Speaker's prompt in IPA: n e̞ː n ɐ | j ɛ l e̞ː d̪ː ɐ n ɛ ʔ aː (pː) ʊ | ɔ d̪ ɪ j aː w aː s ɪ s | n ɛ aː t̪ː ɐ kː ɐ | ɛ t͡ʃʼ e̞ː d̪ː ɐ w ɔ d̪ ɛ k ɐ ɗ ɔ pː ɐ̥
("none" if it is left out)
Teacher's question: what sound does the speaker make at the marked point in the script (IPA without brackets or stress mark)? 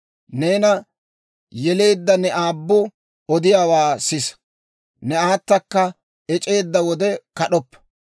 bː